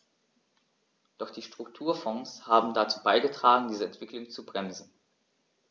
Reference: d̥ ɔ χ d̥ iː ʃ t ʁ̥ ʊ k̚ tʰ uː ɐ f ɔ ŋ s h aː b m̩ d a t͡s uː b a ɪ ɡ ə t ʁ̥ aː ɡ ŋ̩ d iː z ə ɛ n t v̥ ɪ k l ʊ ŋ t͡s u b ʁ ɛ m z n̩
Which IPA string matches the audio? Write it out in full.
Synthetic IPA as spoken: d̥ ɔ χ d̥ iː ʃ t ʁ̥ ʊ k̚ tʰ uː ɐ f ɔ ŋ s h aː b m̩ d a t͡s uː b a ɪ ɡ ə t ʁ̥ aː ɡ ŋ̩ d iː z ə ɛ n t v̥ ɪ k l ʊ ŋ t͡s u b ʁ ɛ m z n̩